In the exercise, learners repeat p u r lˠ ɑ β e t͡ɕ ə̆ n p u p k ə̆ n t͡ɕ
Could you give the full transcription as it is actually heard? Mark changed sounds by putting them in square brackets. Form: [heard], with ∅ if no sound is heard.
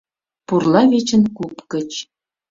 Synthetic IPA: p u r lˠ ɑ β e t͡ɕ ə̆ n [k] u p k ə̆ [∅] t͡ɕ